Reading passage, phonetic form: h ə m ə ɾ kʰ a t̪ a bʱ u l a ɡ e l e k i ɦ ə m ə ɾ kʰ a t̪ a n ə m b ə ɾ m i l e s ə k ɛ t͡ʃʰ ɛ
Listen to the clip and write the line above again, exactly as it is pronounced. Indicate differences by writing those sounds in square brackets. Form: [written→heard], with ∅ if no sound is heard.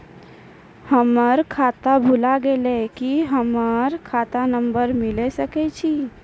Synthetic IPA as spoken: h ə m ə ɾ kʰ a t̪ a bʱ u l a ɡ e l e k i ɦ ə m ə ɾ kʰ a t̪ a n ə m b ə ɾ m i l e s ə k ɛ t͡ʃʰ [ɛ→i]